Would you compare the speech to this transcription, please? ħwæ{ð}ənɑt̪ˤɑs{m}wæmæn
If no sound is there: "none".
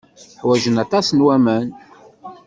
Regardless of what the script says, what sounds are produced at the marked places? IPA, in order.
ʒ, n

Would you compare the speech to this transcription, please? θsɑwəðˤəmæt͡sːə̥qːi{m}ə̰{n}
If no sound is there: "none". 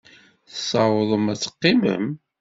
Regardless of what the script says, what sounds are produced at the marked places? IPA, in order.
m, m

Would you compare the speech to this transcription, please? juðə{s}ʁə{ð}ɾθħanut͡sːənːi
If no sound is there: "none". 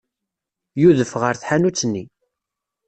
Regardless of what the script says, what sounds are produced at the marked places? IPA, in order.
f, none

